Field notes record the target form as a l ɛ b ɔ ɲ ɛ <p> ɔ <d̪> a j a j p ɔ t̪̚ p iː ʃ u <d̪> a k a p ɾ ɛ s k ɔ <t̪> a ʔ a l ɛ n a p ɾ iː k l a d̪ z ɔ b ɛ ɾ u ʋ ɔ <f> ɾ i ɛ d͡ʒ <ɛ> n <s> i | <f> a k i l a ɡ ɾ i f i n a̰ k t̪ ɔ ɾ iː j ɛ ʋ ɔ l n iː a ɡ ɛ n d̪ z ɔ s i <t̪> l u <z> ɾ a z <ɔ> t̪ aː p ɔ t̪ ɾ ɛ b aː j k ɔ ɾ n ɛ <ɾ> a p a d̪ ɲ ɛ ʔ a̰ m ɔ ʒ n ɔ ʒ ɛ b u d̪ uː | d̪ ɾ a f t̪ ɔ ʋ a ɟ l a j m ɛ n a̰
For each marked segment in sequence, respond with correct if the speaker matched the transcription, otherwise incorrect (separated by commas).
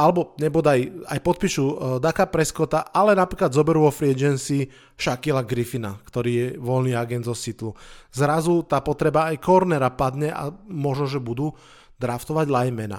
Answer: incorrect, correct, correct, correct, correct, correct, correct, incorrect, correct, correct, incorrect, correct